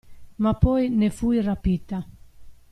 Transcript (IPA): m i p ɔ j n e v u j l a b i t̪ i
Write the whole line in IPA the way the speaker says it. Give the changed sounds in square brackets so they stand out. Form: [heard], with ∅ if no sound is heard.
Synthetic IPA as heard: m [a] p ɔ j n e [f] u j [r] a [p] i t̪ [a]